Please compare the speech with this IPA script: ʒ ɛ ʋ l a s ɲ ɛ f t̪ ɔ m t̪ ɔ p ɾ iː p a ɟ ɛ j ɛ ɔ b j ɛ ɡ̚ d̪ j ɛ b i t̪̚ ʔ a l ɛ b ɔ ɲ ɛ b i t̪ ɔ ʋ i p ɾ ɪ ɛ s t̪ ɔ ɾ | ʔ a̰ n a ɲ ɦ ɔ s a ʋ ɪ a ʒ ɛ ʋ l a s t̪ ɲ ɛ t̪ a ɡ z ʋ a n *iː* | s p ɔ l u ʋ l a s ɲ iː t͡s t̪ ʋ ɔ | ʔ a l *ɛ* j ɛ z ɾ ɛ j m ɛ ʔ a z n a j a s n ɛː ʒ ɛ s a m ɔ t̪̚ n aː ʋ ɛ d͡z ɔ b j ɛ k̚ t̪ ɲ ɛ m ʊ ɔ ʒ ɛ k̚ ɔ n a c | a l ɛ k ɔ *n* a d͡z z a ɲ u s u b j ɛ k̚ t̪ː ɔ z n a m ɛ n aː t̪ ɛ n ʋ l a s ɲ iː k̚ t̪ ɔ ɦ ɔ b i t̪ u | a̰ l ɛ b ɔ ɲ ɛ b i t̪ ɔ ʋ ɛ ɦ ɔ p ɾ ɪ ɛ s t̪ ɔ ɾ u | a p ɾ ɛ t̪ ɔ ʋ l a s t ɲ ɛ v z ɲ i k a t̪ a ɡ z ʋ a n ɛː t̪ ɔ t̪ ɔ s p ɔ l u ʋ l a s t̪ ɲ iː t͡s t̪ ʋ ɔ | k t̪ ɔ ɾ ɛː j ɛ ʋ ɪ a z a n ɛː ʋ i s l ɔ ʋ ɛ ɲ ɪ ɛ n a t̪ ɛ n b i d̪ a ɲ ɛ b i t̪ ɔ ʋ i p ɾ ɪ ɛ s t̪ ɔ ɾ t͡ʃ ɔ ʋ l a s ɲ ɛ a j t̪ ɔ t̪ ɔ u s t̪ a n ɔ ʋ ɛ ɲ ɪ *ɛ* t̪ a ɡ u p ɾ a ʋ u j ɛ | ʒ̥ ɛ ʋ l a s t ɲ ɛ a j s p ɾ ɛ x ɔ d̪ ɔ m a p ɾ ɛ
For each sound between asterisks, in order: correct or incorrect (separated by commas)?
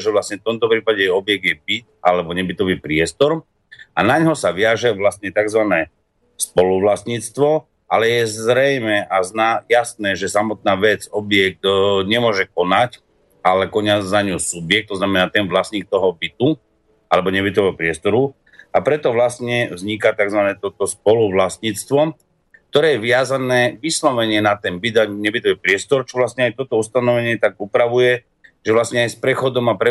incorrect, correct, incorrect, correct